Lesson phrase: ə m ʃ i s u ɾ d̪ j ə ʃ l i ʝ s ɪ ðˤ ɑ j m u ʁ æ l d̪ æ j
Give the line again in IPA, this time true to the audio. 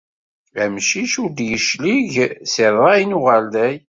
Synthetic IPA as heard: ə m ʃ i ʃ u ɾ d̪ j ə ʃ l i ʝ s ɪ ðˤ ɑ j n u ʁ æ l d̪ æ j